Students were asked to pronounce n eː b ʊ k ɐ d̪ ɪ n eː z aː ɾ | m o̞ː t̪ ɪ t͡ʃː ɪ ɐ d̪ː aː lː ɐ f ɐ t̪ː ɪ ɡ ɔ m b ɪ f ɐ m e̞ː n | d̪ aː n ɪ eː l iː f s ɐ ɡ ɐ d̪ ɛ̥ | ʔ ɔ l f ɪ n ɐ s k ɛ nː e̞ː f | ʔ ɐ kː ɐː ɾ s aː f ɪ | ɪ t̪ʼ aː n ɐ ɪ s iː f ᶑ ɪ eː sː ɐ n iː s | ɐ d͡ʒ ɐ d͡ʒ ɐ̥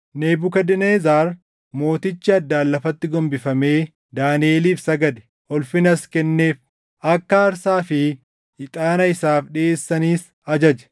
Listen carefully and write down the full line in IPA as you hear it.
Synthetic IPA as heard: n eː b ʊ k ɐ d̪ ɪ n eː z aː ɾ | m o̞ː t̪ ɪ t͡ʃː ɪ ɐ d̪ː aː lː ɐ f ɐ t̪ː ɪ ɡ ɔ m b ɪ f ɐ m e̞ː | d̪ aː n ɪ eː l iː f s ɐ ɡ ɐ d̪ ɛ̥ | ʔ ɔ l f ɪ n ɐ s k ɛ nː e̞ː f | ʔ ɐ kː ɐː ɾ s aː f ɪ | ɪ t̪ʼ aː n ɐ ɪ s aː f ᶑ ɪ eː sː ɐ n iː s | ɐ d͡ʒ ɐ d͡ʒ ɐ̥